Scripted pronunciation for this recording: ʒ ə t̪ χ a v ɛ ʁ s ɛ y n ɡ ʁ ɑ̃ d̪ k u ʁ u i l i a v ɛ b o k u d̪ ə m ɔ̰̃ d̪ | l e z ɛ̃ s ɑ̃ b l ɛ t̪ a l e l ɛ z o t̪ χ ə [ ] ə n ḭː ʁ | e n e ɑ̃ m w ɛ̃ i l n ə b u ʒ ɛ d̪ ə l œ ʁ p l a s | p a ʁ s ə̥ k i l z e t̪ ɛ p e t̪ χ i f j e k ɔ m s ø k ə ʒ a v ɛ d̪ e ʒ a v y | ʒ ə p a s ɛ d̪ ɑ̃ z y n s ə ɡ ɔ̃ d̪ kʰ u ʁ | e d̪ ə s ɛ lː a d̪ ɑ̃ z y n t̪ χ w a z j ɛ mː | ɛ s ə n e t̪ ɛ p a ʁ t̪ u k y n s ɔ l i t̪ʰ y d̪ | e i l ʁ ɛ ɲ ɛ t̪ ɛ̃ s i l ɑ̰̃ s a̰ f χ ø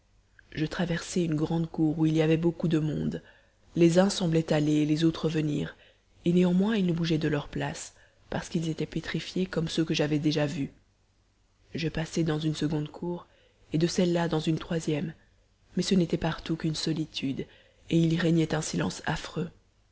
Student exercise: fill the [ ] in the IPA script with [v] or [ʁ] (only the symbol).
v